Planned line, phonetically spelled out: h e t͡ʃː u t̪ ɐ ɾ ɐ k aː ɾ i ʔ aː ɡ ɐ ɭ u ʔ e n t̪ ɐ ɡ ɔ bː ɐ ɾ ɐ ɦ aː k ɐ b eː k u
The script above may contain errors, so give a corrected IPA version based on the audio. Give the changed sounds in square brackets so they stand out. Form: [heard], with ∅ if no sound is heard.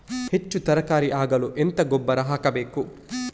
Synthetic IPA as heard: h e t͡ʃː u t̪ ɐ ɾ ɐ k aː ɾ i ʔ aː ɡ ɐ [l] u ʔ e n t̪ ɐ ɡ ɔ bː ɐ ɾ ɐ ɦ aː k ɐ b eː k u